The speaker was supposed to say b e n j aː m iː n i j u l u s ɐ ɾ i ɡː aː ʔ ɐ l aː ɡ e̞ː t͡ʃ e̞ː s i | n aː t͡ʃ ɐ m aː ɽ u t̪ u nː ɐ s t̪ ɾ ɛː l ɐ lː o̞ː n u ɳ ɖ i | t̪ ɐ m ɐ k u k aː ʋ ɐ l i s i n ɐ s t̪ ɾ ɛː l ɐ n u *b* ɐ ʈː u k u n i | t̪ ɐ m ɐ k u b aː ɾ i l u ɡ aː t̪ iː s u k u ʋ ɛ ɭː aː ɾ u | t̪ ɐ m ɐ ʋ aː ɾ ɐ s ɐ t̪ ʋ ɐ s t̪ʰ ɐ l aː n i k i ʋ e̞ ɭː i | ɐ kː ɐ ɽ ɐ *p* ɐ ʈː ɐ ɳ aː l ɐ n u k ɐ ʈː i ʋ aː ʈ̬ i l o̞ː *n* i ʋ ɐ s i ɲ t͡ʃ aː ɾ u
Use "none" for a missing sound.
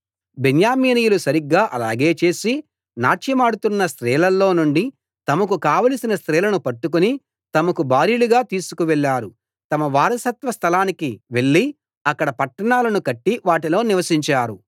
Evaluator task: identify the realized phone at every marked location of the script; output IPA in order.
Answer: p, p, n

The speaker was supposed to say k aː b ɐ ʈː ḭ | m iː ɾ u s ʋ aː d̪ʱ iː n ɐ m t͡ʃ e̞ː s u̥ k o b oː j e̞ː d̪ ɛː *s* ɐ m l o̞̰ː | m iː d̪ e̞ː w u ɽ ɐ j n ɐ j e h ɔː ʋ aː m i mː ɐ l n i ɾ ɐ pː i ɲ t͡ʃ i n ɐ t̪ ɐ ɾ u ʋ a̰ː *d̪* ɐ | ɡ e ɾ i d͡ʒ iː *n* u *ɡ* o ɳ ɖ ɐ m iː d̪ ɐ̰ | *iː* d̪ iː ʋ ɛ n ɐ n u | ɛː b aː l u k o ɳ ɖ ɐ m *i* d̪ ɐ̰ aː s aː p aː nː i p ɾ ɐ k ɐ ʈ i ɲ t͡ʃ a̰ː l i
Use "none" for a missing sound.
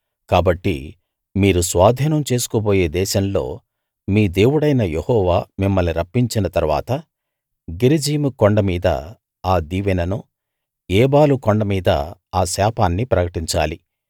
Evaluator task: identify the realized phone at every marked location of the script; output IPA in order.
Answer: ʃ, t̪, m, k, aː, iː

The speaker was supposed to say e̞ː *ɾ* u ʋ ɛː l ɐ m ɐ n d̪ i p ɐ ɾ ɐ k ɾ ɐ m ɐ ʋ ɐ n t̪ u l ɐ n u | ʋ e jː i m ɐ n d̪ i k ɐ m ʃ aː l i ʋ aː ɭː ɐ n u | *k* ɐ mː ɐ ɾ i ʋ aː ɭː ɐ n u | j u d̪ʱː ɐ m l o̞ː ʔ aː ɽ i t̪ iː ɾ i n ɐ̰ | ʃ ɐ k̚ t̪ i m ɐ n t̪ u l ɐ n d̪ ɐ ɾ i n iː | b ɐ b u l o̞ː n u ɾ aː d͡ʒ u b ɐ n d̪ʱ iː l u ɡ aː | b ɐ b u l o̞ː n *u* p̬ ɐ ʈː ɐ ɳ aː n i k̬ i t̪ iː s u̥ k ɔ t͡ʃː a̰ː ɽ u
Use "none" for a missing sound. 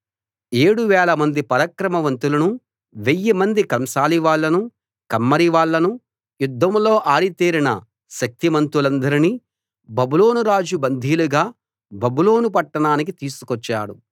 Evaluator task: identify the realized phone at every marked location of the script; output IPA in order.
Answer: ɽ, k, u

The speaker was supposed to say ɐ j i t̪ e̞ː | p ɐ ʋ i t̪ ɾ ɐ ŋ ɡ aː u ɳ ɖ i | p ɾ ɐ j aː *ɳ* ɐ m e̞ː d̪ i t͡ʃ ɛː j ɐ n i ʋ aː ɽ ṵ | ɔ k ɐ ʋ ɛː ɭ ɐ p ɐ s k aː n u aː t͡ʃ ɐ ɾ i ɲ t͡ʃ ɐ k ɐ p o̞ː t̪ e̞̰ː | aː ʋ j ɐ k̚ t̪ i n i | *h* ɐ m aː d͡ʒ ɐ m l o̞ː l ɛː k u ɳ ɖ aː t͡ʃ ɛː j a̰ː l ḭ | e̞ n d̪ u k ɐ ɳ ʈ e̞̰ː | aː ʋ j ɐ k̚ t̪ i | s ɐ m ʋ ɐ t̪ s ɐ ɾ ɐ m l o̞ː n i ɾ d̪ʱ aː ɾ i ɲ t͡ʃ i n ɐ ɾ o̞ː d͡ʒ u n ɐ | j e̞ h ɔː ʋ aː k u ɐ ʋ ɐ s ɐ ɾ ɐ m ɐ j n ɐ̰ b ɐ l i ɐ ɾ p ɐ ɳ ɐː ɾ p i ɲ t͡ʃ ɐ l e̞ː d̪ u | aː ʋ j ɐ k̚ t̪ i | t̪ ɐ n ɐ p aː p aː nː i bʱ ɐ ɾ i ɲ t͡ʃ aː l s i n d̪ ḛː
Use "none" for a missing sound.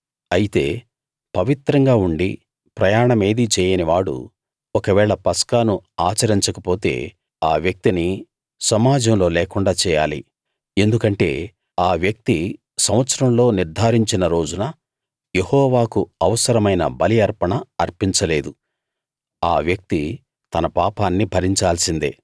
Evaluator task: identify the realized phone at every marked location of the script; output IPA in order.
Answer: ɳ, s

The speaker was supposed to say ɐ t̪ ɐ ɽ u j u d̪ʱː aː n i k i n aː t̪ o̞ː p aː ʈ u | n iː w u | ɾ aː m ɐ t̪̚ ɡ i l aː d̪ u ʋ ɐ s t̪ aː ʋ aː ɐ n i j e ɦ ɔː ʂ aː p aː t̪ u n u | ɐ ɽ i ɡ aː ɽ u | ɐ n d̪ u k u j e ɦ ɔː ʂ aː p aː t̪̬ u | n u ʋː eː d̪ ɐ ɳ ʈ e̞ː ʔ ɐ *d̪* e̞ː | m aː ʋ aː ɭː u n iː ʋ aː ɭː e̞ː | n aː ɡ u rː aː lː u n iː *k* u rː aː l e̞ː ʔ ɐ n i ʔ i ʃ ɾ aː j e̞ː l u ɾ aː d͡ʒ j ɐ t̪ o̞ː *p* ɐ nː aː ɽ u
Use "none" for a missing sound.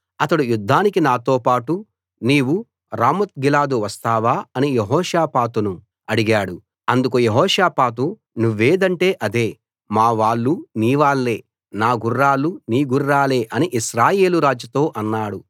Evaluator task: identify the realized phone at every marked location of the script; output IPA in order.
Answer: d̪, ɡ, ʔ

